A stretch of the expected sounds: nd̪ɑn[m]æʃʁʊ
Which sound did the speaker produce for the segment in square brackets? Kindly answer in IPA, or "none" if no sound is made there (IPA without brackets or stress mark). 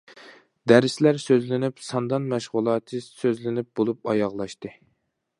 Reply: m